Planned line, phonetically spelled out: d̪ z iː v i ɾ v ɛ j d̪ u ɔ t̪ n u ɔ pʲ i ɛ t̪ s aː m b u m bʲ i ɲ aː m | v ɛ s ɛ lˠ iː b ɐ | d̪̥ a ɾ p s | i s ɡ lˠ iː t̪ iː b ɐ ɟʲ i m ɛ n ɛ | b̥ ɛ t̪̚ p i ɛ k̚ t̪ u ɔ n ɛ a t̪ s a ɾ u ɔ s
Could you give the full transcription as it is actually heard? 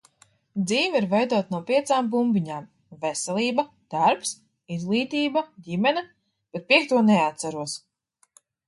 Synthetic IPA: d̪ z iː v i ɾ v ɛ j d̪ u ɔ t̪ n u ɔ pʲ i ɛ t̪ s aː m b u m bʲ i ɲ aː m | v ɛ s ɛ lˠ iː b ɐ | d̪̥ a ɾ p s | i z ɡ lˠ iː t̪ iː b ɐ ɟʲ i m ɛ n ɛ | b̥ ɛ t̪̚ p i ɛ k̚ t̪ u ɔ n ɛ a t̪ s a ɾ u ɔ s